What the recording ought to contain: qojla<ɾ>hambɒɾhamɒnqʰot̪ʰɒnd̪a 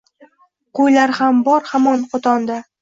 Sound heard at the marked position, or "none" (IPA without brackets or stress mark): ɾ